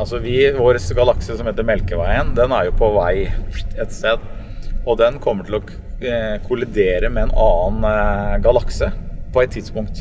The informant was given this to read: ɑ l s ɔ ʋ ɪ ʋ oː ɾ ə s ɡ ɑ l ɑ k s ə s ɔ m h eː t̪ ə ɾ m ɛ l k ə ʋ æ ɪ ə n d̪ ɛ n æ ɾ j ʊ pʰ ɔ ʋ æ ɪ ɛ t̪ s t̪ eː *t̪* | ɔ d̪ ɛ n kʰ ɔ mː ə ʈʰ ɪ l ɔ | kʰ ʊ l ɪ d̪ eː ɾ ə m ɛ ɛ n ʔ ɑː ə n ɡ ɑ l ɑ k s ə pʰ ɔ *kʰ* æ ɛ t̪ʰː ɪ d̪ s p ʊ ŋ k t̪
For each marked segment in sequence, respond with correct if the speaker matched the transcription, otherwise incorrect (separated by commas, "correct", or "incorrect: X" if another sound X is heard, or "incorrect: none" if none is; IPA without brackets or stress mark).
incorrect: d̪, incorrect: none